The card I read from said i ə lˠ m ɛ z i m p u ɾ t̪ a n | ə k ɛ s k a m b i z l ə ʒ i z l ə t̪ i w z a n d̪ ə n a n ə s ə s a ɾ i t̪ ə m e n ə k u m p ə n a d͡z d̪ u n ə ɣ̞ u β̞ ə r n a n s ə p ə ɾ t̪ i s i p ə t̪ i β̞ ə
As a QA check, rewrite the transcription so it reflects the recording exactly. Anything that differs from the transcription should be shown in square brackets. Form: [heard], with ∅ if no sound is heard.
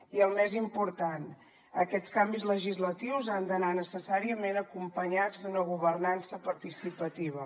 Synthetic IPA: i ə lˠ m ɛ z i m p u ɾ t̪ a n | ə k ɛ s k a m b i z l ə ʒ i z l ə t̪ i w z a n d̪ ə n a n ə s ə s a ɾ i [∅] ə m e n ə k u m p ə [ɲ] a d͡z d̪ u n ə ɣ̞ u β̞ ə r n a n s ə p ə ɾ t̪ i s i p ə t̪ i β̞ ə